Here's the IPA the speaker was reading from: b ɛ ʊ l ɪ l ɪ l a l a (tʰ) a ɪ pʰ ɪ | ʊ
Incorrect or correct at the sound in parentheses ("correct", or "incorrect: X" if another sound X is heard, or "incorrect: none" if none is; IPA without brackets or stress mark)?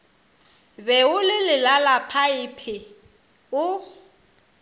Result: incorrect: pʰ